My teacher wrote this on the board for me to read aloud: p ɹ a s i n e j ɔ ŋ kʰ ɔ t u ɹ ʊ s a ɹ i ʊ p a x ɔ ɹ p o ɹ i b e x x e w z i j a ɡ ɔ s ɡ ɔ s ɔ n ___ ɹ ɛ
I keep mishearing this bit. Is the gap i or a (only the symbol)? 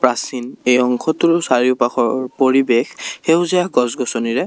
i